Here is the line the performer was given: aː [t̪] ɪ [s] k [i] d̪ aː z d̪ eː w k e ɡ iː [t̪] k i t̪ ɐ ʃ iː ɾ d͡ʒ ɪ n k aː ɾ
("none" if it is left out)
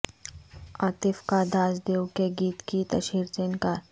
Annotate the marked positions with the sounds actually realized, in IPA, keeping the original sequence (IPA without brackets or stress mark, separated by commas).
t̪, f, a, t̪